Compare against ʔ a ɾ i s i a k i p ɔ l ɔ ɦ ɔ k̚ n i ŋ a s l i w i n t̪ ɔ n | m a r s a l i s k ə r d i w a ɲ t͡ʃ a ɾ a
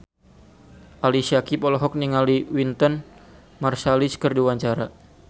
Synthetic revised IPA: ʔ a l i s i a k i p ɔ l ɔ ɦ ɔ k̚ n i ŋ a l i w i n t̪ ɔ n | m a r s a l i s k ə r d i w a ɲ t͡ʃ a ɾ a